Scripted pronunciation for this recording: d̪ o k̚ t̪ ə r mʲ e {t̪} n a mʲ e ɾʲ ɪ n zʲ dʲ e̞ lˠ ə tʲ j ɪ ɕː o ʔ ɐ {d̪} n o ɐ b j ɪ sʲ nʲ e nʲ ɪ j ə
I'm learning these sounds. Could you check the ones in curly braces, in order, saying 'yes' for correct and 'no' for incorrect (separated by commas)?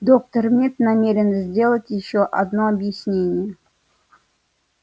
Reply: yes, yes